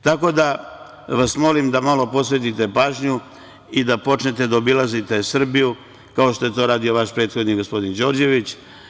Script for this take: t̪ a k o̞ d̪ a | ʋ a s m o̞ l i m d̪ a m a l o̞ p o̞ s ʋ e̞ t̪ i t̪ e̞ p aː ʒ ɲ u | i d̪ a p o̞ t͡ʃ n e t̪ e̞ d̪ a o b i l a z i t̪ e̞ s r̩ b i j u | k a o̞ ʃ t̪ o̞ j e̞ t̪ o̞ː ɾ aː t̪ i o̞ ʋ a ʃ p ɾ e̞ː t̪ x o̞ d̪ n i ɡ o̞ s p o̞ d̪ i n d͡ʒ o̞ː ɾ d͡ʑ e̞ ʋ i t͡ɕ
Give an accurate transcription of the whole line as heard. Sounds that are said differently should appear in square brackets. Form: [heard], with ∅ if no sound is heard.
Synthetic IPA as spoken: t̪ a k o̞ d̪ a | ʋ a s m o̞ l i m d̪ a m a l o̞ p o̞ s ʋ e̞ t̪ i t̪ e̞ p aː ʒ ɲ u | i d̪ a p o̞ t͡ʃ n e t̪ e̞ d̪ a o b i l a z i t̪ e̞ s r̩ b i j u | k a o̞ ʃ t̪ o̞ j e̞ t̪ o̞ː ɾ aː [d̪] i o̞ ʋ a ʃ p ɾ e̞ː t̪ x o̞ d̪ n i ɡ o̞ s p o̞ d̪ i n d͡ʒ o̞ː ɾ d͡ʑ e̞ ʋ i t͡ɕ